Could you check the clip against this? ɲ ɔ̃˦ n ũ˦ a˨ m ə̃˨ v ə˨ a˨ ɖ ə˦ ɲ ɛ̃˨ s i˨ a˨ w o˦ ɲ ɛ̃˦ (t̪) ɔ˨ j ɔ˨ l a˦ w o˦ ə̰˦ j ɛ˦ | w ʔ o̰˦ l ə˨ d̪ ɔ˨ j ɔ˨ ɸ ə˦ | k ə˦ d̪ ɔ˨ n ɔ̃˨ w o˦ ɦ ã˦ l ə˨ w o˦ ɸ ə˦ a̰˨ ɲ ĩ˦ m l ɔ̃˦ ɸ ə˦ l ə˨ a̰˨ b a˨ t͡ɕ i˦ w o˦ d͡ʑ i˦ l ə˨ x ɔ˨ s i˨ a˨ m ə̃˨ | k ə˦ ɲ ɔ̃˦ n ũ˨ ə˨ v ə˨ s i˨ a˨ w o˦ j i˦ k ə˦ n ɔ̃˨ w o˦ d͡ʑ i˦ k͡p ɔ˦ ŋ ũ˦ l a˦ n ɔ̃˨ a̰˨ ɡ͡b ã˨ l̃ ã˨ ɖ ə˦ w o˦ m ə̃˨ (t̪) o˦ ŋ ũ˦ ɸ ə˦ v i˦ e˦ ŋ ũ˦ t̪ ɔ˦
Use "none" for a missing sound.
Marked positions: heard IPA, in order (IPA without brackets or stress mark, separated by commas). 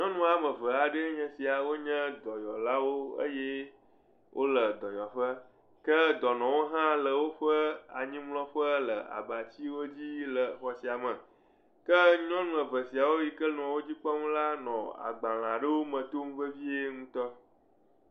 d̪, t̪